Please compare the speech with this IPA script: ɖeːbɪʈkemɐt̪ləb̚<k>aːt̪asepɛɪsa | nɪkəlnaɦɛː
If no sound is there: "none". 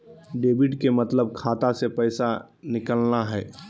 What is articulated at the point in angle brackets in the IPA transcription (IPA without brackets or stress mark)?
kʰ